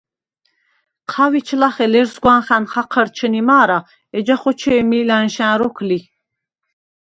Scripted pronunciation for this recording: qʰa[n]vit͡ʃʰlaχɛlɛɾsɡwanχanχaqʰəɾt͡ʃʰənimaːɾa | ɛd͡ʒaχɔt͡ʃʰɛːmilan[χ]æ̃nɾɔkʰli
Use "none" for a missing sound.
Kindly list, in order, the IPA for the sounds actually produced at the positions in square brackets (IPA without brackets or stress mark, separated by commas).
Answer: none, ʃ